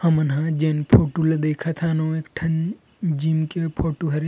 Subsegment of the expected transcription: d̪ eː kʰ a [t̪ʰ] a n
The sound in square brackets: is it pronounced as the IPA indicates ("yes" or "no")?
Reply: yes